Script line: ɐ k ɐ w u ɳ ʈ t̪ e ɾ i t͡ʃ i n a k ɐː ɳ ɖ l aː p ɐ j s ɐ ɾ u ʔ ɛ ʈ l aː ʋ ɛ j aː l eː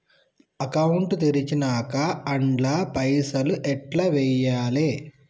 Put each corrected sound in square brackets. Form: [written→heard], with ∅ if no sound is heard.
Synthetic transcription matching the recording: ɐ k ɐ w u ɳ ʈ t̪ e ɾ i t͡ʃ i n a k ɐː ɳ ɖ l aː p ɐ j s ɐ [ɾ→l] u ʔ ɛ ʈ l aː ʋ ɛ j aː l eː